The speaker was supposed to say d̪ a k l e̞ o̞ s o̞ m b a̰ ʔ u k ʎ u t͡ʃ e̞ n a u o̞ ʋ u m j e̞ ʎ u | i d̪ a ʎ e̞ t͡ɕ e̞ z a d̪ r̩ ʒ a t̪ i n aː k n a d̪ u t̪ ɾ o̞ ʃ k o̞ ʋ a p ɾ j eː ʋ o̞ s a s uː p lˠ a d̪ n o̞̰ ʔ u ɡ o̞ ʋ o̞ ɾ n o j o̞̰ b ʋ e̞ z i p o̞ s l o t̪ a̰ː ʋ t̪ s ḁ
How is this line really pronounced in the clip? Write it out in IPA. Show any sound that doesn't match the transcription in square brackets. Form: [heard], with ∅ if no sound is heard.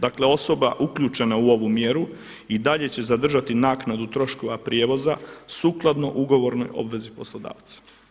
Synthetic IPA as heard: d̪ a k l e̞ o̞ s o̞ [∅] b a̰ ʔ u k ʎ u t͡ʃ e̞ n a u o̞ ʋ u m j e̞ [ɾ] u | i d̪ a ʎ e̞ t͡ɕ e̞ z a d̪ r̩ ʒ a t̪ i n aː k n a d̪ u t̪ ɾ o̞ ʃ k o̞ ʋ a p ɾ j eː ʋ o̞ [z] a s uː [k] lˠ a d̪ n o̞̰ ʔ u ɡ o̞ ʋ o̞ ɾ n o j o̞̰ b ʋ e̞ z i p o̞ s l o [d̪] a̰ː ʋ t̪ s ḁ

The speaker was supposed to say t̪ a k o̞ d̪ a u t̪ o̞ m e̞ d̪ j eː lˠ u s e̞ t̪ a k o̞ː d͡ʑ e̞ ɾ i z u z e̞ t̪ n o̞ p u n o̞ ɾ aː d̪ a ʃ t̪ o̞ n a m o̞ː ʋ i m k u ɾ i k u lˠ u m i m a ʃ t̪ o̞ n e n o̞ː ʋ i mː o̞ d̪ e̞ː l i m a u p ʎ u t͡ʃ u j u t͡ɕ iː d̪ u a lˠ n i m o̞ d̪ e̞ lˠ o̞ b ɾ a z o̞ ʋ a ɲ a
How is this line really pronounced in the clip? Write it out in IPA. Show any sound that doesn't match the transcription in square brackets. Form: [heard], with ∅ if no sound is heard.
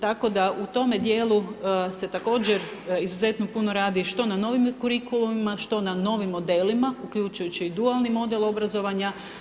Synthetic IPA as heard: t̪ a k o̞ d̪ a u t̪ o̞ m e̞ d̪ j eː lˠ u s e̞ t̪ a k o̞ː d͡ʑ e̞ ɾ i z u z e̞ t̪ n o̞ p u n o̞ ɾ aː d̪ [i] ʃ t̪ o̞ n a [n] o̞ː ʋ i m k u ɾ i k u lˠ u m i m a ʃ t̪ o̞ n [a] n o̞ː ʋ i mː o̞ d̪ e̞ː l i m a u [k] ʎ u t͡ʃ u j u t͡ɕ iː d̪ u a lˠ n i m o̞ d̪ e̞ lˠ o̞ b ɾ a z o̞ ʋ a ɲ a

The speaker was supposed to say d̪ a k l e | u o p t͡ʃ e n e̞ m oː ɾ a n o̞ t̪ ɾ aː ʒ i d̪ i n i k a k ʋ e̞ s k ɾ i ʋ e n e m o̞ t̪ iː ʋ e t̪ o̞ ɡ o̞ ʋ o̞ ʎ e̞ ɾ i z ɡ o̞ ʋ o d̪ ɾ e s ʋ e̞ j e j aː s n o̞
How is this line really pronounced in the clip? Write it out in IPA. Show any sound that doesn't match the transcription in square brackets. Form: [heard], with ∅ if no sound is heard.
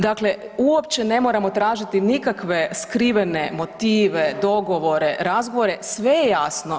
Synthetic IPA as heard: d̪ a k l e | u o p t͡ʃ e n e̞ m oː ɾ a [m] o̞ t̪ ɾ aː ʒ i [t̪] i n i k a k ʋ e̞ s k ɾ i ʋ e n e m o̞ t̪ iː ʋ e [d̪] o̞ ɡ o̞ ʋ o̞ [ɾ] e̞ ɾ [a] z ɡ o̞ ʋ o [∅] ɾ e s ʋ e̞ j e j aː s n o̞

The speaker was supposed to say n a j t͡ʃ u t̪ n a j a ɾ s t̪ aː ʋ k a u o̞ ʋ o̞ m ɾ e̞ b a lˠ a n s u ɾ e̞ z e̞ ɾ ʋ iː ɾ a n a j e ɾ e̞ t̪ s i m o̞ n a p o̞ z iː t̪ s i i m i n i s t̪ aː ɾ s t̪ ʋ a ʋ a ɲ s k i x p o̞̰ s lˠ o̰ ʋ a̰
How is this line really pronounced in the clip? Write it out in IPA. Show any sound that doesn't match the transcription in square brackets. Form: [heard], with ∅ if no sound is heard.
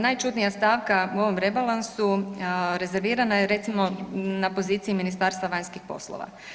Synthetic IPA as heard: n a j t͡ʃ u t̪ n [i] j a [∅] s t̪ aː ʋ k a u o̞ ʋ o̞ m ɾ e̞ b a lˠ a n s u ɾ e̞ z e̞ ɾ ʋ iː ɾ a n a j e ɾ e̞ t̪ s i m o̞ n a p o̞ z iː t̪ s i i m i n i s t̪ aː ɾ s t̪ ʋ a ʋ a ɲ s k i x p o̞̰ s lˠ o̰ ʋ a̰

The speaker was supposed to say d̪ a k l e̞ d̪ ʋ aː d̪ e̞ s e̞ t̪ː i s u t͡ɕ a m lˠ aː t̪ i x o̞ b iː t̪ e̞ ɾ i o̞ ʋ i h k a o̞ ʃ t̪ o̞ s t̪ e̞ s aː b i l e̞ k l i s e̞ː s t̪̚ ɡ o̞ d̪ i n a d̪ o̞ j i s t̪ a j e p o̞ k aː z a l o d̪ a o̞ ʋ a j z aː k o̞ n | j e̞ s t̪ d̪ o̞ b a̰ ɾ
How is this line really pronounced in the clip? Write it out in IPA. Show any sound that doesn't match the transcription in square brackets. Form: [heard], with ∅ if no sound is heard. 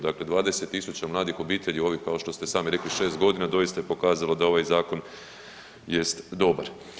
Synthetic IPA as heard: d̪ a k l e̞ d̪ ʋ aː d̪ e̞ s e̞ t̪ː i s u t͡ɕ a m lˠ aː [d̪] i x o̞ b iː t̪ e̞ [ʎ] i o̞ ʋ i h k a o̞ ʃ t̪ o̞ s t̪ e̞ s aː [m] i [ɾ] e̞ k l i [ʃ] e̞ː s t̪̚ ɡ o̞ d̪ i n a d̪ o̞ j i s t̪ a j e p o̞ k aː z a l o d̪ a o̞ ʋ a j z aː k o̞ n | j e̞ s t̪ d̪ o̞ b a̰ ɾ

